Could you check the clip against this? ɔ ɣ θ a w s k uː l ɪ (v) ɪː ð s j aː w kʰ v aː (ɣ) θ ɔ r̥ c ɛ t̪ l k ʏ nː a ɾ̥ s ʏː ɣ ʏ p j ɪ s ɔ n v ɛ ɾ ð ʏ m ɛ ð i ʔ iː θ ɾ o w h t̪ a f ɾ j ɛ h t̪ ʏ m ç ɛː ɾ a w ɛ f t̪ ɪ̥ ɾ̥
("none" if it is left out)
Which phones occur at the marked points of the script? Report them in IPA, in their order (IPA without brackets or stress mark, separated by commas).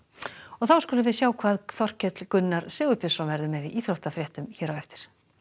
v, ð